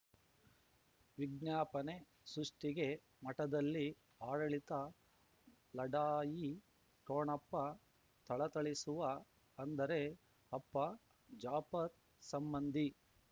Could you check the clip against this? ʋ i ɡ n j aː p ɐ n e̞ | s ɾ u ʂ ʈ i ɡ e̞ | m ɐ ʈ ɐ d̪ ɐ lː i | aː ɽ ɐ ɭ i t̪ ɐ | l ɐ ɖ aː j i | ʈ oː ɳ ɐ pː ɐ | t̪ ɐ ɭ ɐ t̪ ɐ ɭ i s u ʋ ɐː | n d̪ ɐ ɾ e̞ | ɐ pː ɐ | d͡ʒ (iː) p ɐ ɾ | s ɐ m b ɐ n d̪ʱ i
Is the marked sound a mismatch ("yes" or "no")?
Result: yes